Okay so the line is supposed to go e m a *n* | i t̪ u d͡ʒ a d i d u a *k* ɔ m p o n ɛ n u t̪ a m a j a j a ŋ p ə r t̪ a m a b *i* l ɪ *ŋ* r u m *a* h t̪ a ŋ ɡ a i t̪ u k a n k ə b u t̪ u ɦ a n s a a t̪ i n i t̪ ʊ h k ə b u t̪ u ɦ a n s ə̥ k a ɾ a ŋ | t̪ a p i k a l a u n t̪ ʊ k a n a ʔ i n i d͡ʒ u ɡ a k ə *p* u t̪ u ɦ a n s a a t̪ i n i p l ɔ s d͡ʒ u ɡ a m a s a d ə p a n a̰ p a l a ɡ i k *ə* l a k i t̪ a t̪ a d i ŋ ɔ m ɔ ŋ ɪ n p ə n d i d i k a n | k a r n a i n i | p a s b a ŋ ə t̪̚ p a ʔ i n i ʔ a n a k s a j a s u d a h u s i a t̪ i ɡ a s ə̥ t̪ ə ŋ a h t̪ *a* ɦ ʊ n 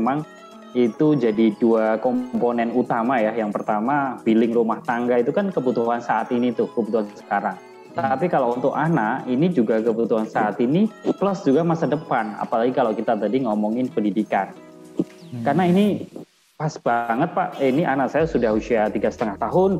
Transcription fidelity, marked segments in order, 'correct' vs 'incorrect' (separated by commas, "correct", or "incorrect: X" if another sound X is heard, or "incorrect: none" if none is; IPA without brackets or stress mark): incorrect: ŋ, correct, correct, correct, correct, incorrect: b, incorrect: a, correct